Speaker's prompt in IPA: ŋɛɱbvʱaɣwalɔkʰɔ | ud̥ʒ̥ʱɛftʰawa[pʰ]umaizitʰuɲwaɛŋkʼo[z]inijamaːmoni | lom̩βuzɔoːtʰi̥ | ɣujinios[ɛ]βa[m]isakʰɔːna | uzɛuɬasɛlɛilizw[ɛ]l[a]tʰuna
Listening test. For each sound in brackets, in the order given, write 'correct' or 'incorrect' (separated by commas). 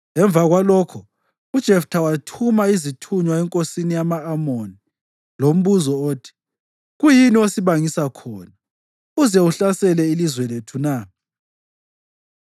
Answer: incorrect, incorrect, incorrect, incorrect, correct, incorrect